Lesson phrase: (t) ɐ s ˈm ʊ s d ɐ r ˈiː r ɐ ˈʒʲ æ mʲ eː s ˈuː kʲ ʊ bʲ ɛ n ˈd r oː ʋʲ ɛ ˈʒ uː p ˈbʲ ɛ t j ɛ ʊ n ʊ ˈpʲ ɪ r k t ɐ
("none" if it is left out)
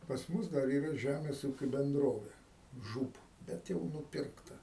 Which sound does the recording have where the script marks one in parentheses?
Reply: p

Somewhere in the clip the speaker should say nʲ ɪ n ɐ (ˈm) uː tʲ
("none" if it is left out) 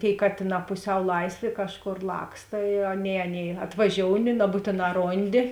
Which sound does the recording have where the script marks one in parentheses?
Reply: b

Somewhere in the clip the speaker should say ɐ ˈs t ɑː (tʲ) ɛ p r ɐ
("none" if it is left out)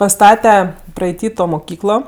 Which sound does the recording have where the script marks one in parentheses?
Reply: tʲ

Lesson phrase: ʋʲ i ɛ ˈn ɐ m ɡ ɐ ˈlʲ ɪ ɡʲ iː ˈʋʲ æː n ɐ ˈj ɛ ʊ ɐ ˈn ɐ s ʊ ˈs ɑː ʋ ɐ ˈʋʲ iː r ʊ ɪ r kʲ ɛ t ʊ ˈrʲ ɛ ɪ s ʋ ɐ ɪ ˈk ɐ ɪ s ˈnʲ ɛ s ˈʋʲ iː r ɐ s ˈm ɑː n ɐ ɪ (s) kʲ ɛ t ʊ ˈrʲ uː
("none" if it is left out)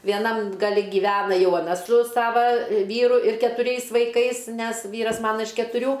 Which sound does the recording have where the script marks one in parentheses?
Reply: ʃ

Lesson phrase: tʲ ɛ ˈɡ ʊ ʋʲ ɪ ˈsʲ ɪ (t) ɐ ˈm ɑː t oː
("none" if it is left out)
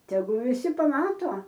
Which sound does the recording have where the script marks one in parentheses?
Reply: p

